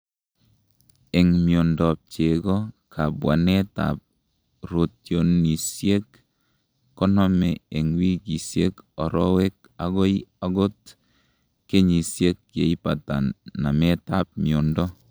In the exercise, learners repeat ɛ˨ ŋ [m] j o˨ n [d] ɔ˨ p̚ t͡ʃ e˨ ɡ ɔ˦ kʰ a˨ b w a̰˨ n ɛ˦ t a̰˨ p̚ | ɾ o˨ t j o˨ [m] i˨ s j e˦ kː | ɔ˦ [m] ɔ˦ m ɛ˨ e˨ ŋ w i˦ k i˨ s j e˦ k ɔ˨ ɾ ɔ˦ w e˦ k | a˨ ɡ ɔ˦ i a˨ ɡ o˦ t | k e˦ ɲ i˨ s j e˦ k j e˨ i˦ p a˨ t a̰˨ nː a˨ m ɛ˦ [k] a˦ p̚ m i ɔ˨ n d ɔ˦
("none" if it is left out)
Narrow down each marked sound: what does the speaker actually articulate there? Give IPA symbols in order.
m, d, n, n, t

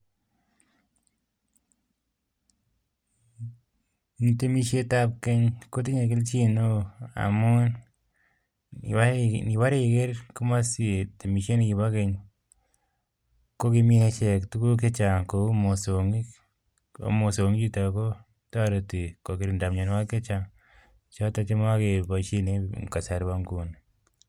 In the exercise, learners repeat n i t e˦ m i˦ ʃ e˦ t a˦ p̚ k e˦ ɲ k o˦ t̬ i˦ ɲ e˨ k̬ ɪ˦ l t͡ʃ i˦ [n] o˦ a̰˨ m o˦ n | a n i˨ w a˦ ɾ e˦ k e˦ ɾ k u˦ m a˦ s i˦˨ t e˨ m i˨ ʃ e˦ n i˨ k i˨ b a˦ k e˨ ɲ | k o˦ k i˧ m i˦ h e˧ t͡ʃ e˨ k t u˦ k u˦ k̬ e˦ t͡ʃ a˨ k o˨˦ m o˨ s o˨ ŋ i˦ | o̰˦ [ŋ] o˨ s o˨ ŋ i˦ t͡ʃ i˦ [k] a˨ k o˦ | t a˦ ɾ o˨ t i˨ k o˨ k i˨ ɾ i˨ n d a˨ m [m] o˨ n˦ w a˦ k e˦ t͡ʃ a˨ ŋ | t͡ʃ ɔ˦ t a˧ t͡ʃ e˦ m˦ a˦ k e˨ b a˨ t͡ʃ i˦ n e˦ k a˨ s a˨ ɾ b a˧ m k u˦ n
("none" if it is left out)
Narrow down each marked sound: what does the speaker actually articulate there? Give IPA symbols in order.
n, m, t, ɲ

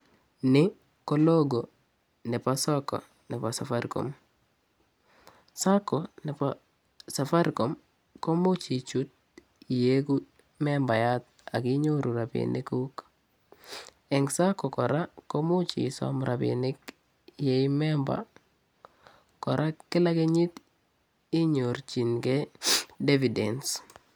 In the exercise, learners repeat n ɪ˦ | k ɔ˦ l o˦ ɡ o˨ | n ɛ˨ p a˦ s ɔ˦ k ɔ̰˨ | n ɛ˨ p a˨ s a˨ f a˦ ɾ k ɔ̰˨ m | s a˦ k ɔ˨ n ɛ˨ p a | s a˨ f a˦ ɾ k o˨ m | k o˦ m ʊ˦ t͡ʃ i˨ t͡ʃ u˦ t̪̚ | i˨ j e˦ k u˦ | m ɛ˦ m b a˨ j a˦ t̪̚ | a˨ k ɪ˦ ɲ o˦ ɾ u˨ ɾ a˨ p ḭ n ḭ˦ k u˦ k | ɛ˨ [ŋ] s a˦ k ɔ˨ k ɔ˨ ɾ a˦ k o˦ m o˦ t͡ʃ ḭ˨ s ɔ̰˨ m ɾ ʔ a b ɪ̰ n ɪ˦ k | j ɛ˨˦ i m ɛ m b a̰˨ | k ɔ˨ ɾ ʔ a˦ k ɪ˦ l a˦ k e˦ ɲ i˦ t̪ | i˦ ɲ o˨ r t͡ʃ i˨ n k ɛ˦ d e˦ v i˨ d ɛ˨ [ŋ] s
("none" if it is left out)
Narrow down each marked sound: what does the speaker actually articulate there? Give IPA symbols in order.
ŋ, n

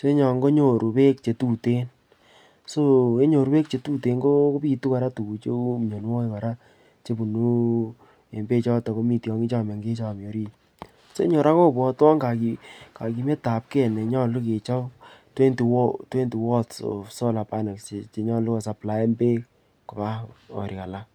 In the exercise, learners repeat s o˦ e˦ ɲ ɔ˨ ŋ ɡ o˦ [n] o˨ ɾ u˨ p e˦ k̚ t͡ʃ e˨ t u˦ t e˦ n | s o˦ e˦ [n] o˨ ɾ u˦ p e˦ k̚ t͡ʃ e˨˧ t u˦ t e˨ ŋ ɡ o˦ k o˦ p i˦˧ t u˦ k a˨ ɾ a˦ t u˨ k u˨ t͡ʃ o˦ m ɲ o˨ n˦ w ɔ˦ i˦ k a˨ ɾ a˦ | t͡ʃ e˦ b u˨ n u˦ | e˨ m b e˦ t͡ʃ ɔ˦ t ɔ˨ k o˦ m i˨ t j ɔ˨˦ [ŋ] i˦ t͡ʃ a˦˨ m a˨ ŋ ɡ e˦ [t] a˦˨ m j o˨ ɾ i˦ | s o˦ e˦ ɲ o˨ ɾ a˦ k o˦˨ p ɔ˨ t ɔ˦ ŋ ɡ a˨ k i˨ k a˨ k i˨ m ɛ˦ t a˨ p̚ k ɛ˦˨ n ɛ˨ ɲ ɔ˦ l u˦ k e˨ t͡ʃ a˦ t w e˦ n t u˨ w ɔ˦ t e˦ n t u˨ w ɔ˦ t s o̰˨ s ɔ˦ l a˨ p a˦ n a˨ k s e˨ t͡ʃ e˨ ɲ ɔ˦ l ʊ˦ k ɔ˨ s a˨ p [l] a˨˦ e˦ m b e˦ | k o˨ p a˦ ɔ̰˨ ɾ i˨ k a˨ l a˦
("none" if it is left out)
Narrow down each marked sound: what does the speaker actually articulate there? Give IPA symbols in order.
ɲ, ɲ, ŋ, t͡ʃ, l

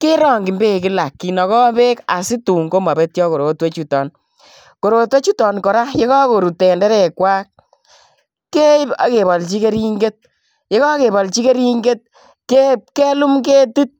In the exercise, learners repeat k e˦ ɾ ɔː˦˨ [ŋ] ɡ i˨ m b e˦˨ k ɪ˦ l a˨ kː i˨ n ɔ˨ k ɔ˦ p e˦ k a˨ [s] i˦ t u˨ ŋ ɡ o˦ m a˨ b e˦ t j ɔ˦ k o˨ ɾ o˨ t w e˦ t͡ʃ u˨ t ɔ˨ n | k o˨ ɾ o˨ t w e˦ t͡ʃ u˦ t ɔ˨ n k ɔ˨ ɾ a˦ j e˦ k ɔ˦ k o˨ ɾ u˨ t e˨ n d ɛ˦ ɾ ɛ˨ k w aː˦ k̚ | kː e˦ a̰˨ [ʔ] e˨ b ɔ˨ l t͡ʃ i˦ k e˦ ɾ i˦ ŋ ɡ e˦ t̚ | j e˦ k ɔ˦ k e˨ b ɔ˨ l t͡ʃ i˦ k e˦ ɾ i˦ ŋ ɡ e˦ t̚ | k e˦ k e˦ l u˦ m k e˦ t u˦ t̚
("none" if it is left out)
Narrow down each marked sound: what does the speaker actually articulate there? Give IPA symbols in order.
ŋ, s, k

